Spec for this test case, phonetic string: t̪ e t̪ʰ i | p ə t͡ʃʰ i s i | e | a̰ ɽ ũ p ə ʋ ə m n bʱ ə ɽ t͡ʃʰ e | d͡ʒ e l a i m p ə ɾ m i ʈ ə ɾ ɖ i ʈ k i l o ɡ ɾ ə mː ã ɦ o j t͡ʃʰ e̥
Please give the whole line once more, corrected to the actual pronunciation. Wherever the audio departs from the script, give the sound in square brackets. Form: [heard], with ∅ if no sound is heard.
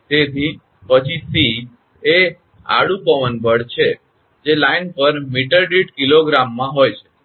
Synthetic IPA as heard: t̪ e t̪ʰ i | p ə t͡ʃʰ i s i | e | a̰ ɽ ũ p ə ʋ ə [∅] n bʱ ə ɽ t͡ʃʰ e | d͡ʒ e l a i [n] p ə ɾ m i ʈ ə ɾ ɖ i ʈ k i l o ɡ ɾ [a] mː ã ɦ o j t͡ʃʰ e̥